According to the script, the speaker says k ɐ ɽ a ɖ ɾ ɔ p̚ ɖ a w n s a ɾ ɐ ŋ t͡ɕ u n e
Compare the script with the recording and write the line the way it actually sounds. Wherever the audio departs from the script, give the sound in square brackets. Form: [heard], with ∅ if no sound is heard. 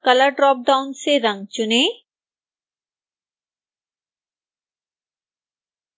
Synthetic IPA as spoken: k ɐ [l] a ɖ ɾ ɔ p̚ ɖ a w n s [e] ɾ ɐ ŋ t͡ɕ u n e